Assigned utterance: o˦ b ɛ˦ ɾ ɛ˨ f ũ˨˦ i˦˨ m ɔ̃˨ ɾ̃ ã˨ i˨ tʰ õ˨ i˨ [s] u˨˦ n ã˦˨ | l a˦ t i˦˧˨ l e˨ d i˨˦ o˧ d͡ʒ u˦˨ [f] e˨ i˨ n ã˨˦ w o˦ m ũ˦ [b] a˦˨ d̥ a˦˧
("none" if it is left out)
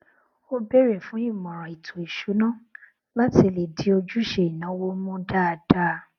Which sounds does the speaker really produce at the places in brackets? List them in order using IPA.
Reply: ʃ, ʃ, d

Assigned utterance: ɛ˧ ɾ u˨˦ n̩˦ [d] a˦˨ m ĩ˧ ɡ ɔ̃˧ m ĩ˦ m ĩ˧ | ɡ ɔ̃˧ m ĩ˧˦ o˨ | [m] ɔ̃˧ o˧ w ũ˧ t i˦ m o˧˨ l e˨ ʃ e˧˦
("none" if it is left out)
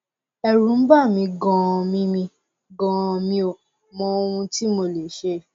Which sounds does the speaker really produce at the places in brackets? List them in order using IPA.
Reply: b, m

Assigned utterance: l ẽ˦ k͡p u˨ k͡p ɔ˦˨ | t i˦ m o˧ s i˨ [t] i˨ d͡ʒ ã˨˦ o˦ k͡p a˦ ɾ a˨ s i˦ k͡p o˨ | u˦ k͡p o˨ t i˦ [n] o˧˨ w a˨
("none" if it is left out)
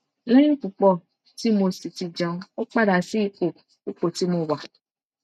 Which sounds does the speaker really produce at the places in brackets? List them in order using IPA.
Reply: t, m

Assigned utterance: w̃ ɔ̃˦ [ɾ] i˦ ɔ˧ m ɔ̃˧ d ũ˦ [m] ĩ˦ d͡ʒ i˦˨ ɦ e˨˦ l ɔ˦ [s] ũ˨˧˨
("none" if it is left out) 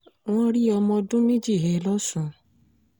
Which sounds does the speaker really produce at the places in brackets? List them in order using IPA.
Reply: ɾ, m, s

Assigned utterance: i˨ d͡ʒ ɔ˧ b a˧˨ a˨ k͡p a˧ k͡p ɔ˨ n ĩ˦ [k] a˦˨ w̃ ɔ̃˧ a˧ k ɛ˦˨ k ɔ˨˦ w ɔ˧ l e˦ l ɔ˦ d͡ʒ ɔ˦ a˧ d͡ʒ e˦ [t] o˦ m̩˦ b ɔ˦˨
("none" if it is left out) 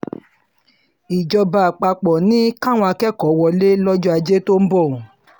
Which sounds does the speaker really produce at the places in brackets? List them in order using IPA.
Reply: k, t

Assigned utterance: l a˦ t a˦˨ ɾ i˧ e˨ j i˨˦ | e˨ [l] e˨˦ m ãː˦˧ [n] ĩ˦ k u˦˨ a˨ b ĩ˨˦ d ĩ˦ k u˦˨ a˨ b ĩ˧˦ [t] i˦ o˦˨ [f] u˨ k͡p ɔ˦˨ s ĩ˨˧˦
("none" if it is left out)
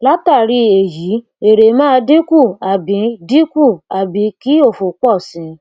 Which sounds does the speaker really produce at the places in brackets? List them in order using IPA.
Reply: ɾ, d, k, f

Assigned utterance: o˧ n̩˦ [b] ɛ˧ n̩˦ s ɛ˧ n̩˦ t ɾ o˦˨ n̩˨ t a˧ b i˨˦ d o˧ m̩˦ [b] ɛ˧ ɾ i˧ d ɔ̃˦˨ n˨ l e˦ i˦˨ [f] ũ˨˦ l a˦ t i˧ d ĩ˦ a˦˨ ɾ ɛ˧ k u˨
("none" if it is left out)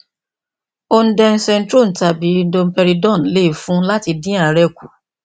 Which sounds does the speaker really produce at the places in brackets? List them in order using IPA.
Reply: d, p, f

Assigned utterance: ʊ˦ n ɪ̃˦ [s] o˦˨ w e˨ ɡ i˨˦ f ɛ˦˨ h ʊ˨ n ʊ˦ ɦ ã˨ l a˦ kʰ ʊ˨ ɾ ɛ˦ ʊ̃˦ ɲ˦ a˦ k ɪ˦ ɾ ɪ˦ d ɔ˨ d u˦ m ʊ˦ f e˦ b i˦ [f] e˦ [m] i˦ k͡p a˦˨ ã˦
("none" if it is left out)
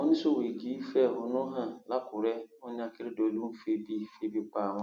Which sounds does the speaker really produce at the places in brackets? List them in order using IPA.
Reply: s, f, b

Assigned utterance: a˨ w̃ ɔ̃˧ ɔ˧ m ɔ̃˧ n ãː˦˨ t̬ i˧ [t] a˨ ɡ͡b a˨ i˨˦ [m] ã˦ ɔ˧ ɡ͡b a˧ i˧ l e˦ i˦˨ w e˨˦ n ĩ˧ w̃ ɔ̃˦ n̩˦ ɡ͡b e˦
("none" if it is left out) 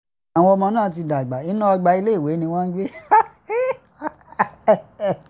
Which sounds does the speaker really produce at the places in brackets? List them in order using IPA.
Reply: d, n

